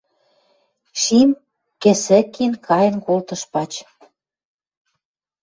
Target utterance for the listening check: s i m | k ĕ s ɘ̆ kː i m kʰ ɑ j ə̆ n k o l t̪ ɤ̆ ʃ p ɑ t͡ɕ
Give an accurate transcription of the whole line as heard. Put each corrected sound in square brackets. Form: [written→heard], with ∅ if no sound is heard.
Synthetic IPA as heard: [s→ʃ] i m | k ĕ s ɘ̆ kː i [m→n] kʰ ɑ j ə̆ n k o l t̪ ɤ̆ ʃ p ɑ t͡ɕ

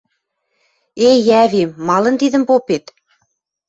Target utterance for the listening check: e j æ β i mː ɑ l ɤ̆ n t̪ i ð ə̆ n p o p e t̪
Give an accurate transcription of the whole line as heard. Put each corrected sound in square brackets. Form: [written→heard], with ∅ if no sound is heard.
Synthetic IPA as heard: e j æ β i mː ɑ l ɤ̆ n t̪ i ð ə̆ [n→m] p o p e t̪

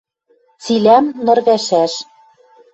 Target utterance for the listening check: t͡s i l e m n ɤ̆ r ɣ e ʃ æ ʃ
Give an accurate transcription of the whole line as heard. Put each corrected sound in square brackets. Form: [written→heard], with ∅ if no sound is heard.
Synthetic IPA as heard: t͡s i l [e→æ] m n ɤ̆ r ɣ [e→æ] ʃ æ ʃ

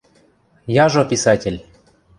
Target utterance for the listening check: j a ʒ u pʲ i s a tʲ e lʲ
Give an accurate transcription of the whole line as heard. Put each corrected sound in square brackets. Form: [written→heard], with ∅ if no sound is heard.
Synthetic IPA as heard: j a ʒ [u→o] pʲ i s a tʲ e lʲ

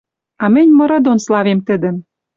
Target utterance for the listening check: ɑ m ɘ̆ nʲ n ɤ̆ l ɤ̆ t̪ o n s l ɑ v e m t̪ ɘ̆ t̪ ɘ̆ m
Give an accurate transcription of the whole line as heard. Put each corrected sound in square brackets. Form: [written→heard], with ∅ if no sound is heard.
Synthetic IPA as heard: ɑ m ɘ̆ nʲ [n→m] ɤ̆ [l→ɾ] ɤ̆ [t̪→d̪] o n s l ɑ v e m t̪ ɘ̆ [t̪→d̪] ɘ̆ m

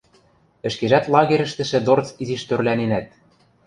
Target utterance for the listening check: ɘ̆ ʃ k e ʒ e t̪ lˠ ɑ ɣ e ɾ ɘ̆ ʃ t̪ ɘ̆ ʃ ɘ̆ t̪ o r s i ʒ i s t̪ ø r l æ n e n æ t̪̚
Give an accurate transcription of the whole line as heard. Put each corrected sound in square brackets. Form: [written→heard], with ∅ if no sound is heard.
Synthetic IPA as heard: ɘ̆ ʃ k e ʒ [e→æ] t̪ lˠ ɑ ɣ e ɾ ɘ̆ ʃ t̪ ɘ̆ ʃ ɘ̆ [t̪→d̪] o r [s→t͡s] i [ʒ→z] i [s→ʃ] t̪ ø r l æ n e n æ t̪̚

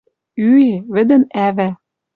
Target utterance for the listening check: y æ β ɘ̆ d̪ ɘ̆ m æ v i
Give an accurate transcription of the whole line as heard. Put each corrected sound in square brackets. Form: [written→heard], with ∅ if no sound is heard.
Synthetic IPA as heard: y [æ→e] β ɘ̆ d̪ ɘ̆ [m→n] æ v [i→æ]

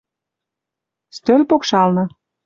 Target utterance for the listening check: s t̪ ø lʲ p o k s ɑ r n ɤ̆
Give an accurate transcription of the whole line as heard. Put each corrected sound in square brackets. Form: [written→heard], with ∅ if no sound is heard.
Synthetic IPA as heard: s t̪ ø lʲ p o k [s→ʃ] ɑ [r→l] n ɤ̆

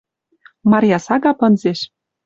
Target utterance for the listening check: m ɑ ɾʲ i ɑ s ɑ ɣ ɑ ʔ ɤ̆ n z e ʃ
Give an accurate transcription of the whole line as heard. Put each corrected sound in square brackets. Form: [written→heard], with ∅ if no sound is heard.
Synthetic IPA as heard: m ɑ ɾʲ [i→j] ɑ s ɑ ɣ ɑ [ʔ→p] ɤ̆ n z e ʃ

